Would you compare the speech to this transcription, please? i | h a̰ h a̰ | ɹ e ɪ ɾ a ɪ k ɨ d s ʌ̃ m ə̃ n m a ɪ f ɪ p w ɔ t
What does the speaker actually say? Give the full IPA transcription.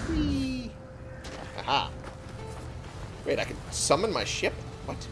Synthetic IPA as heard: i | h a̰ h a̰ | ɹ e ɪ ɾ a ɪ k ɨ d s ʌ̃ m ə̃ n m a ɪ ʃ ɪ p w ʌ t